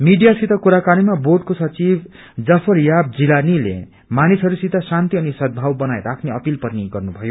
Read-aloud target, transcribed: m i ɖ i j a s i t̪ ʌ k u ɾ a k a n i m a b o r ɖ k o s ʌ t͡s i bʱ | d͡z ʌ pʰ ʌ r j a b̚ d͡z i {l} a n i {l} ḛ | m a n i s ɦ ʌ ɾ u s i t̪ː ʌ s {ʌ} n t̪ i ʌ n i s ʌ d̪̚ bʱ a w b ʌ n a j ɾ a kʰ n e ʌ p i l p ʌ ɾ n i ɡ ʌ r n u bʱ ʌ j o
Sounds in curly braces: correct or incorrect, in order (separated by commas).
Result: correct, correct, incorrect